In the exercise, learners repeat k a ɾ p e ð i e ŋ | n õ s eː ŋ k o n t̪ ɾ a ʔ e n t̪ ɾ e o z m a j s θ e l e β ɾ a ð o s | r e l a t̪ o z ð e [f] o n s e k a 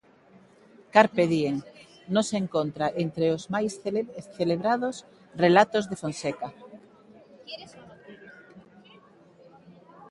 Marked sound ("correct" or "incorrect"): correct